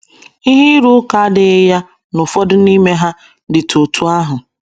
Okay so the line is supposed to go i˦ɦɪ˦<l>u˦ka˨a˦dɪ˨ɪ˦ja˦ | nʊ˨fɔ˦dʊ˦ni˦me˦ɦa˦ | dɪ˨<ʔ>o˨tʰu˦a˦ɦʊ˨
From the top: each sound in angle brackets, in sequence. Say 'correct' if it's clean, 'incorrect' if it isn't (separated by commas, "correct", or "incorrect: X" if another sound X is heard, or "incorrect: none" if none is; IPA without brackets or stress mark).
incorrect: ɾ, incorrect: t